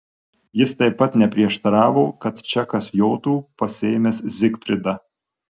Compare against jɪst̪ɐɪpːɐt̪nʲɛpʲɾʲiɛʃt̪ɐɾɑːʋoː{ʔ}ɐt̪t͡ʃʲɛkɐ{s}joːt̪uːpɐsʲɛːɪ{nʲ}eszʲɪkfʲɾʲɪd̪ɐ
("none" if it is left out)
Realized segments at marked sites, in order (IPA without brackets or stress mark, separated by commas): k, s, mʲ